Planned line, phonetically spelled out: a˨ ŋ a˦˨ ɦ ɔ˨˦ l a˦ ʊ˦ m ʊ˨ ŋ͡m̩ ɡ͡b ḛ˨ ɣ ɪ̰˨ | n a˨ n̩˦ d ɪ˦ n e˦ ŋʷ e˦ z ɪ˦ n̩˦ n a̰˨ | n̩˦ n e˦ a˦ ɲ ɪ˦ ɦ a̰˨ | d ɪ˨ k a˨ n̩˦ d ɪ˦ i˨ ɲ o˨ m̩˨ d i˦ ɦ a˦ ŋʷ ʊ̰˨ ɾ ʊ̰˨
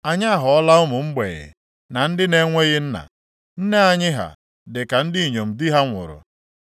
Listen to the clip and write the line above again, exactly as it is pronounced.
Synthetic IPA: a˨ ɲ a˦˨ ɦ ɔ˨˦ l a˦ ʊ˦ m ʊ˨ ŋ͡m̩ ɡ͡b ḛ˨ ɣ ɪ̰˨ | n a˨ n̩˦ d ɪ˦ n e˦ ŋʷ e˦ ɣ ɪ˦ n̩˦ n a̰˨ | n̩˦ n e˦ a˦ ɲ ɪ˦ ɦ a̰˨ | d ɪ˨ k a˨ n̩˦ d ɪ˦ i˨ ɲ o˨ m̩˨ d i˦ ɦ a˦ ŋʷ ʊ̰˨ ɾ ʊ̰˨